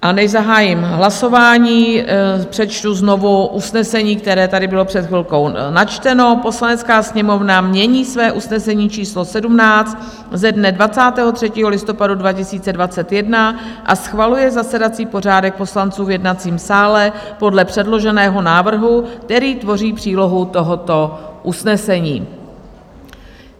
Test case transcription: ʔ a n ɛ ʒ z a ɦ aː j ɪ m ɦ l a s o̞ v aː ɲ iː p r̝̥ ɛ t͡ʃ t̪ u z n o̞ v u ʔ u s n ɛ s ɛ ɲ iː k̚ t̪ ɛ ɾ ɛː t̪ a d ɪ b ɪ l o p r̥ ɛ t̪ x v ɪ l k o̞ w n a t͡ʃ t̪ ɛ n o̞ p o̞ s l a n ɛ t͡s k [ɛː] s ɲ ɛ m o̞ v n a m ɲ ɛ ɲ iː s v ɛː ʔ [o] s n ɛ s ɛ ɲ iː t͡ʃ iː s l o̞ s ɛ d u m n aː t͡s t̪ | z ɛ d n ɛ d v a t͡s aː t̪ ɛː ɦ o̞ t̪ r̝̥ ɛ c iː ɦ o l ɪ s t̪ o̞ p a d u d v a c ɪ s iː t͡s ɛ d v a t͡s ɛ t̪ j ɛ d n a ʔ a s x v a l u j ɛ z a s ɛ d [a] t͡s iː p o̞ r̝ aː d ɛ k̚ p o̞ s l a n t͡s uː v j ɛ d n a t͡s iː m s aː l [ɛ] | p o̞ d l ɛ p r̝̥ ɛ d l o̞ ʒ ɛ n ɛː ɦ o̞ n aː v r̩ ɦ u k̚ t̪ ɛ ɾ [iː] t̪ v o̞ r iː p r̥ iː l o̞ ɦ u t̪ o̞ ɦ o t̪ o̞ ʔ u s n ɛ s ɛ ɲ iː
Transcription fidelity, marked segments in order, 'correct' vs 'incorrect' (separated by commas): incorrect, incorrect, correct, correct, correct